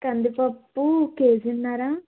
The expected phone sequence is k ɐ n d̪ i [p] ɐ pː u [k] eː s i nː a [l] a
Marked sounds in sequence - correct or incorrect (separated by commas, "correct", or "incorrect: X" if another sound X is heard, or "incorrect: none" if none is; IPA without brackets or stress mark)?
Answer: correct, correct, incorrect: ɾ